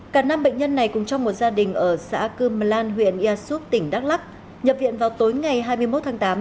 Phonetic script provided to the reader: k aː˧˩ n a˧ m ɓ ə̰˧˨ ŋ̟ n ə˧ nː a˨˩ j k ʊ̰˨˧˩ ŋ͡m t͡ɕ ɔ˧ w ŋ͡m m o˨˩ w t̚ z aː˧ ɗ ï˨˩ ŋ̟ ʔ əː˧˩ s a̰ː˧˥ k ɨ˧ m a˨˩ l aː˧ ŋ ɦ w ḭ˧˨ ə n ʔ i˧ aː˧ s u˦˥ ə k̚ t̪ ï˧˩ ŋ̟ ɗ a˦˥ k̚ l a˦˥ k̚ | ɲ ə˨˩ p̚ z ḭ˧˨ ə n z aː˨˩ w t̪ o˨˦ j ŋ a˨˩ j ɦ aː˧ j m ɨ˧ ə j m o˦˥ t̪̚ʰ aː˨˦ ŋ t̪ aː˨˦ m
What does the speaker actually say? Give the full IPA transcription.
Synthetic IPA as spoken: k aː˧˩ n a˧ m ɓ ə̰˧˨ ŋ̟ ɲ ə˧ nː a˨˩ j k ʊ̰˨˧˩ ŋ͡m t͡ɕ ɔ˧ w ŋ͡m m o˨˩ t̚ z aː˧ ɗ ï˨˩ ŋ̟ ʔ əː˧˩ s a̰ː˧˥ k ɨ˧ m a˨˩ l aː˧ n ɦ w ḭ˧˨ ə n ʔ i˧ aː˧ s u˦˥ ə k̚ t̪ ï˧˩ ŋ̟ ɗ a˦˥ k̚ l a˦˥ k̚ | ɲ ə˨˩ p̚ v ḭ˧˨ ə n v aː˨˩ w t̪ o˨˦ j ŋ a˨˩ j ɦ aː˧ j m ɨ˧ ə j m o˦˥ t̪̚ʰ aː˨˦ ŋ t̪ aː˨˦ m